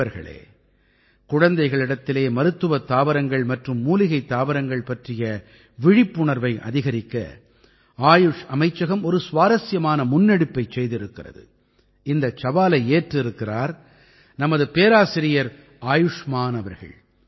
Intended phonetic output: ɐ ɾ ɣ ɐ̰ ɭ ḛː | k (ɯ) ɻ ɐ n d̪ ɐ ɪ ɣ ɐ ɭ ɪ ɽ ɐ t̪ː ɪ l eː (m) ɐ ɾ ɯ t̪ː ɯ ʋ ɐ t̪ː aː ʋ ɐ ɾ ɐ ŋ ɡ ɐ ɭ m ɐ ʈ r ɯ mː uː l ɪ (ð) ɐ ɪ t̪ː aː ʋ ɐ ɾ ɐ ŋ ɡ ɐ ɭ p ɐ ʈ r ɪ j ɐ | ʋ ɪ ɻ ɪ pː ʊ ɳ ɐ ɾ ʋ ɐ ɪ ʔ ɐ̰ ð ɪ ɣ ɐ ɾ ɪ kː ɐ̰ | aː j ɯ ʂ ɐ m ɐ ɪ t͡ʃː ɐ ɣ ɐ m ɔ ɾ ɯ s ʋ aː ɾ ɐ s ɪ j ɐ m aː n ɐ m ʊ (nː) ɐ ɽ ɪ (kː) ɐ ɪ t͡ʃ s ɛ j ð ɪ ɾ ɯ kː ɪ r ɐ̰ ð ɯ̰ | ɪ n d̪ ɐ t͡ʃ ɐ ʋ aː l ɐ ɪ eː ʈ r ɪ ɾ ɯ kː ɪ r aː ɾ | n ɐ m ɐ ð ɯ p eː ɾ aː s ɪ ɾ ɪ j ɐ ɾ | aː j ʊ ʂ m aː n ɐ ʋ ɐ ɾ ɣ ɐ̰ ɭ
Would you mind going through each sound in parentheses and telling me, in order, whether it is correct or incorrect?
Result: incorrect: ʊ, correct, incorrect: ɣ, correct, incorrect: pː

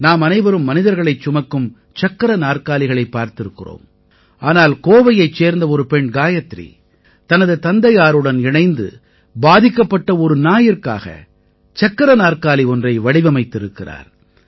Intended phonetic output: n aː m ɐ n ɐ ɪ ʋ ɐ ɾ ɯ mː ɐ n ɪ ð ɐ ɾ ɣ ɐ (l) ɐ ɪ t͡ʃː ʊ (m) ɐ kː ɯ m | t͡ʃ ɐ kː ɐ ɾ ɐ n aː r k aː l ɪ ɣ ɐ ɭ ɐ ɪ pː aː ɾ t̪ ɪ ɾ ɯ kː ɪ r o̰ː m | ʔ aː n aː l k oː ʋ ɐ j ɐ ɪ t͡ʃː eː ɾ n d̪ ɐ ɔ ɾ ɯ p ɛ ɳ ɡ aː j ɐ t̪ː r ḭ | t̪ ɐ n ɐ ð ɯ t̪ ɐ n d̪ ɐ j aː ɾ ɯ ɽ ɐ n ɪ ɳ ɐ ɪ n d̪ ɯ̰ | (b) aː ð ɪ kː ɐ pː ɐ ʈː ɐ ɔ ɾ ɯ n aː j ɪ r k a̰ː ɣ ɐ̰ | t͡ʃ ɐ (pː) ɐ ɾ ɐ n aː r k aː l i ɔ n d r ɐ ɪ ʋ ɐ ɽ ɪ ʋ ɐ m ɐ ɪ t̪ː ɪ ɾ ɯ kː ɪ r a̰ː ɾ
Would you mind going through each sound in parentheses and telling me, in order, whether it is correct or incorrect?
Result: incorrect: ɭ, correct, correct, incorrect: kː

